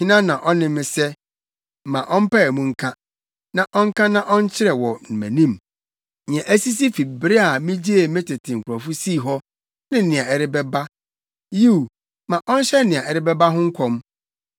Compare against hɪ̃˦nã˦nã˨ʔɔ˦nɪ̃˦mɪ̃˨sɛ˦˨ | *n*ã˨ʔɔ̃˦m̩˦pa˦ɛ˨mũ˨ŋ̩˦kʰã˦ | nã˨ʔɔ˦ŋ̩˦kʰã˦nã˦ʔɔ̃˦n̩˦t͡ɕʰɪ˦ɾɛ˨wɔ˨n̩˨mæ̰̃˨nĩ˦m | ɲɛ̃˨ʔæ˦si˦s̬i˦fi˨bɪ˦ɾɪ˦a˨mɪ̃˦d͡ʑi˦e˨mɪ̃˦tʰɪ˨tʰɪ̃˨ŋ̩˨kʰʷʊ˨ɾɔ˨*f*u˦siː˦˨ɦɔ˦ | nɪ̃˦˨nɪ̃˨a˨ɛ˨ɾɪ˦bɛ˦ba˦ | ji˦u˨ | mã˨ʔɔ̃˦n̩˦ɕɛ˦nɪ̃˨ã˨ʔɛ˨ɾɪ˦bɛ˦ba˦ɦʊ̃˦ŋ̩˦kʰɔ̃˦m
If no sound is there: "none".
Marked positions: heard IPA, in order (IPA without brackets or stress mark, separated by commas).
m, f